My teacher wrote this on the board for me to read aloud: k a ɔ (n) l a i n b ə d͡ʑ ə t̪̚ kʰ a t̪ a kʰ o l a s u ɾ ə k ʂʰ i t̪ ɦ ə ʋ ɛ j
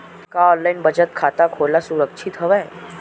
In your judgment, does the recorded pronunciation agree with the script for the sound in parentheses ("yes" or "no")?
yes